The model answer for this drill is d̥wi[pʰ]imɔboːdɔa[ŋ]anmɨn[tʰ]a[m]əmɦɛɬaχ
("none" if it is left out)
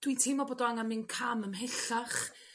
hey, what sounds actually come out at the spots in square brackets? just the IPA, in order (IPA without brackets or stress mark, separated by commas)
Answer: tʰ, ŋ, kʰ, m